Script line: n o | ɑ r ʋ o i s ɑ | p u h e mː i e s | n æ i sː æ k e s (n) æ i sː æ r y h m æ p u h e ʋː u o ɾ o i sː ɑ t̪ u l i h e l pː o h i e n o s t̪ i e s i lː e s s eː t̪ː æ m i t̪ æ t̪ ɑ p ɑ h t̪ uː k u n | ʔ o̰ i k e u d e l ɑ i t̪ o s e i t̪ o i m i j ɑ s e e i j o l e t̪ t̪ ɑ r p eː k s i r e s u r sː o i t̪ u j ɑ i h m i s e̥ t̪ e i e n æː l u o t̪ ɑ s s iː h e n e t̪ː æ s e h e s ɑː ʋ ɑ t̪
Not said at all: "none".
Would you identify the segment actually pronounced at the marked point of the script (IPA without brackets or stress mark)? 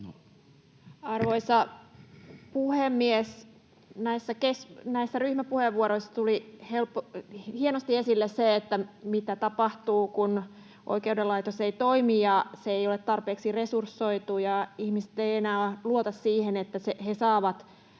n